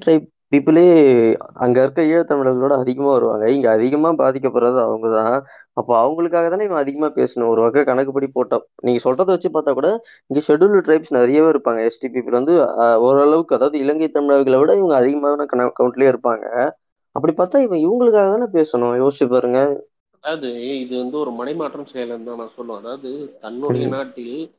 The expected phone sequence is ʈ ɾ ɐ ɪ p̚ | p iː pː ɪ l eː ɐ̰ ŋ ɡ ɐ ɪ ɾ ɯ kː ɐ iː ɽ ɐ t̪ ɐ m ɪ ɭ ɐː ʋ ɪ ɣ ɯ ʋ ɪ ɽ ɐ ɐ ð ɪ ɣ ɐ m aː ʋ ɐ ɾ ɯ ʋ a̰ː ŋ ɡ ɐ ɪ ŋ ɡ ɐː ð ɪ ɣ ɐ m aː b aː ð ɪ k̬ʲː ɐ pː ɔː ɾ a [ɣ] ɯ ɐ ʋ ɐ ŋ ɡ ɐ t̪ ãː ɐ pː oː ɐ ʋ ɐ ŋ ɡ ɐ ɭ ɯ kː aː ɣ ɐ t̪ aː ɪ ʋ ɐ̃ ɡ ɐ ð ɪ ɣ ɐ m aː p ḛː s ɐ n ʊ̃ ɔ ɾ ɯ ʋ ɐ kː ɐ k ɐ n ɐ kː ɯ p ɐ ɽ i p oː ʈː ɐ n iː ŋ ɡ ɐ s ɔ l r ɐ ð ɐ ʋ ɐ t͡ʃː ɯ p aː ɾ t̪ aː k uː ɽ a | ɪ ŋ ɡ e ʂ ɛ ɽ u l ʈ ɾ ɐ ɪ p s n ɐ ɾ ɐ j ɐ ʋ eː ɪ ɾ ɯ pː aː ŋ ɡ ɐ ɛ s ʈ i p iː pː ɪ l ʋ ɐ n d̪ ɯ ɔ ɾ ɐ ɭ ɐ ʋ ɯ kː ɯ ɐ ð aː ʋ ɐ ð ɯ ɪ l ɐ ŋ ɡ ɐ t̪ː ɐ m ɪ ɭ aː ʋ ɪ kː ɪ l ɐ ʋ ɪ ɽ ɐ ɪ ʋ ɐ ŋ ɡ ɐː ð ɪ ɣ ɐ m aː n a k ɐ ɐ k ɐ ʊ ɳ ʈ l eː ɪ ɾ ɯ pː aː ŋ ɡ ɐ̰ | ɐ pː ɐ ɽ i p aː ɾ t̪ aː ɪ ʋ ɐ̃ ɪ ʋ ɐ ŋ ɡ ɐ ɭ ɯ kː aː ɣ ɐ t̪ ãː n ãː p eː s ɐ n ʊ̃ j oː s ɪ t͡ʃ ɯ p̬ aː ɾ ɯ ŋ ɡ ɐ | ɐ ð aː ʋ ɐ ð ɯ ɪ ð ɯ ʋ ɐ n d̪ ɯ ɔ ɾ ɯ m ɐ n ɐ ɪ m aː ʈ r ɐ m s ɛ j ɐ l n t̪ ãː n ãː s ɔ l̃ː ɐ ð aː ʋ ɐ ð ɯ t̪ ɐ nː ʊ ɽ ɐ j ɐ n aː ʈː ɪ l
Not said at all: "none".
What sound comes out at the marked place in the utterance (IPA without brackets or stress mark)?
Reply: ð